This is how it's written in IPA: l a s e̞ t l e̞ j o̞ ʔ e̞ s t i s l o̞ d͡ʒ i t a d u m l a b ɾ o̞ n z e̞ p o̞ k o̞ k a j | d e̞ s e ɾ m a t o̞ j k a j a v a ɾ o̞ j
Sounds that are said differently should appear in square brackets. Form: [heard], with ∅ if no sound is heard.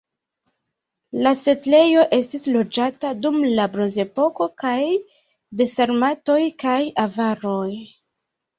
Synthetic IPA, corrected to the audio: l a s e̞ t l e̞ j o̞ ʔ e̞ s t i s l o̞ d͡ʒ [a] t a d u m l a b ɾ o̞ n z e̞ p o̞ k o̞ k a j | d e̞ s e ɾ m a t o̞ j k a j a v a ɾ o̞ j